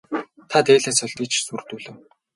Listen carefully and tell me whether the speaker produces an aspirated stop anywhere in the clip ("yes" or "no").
yes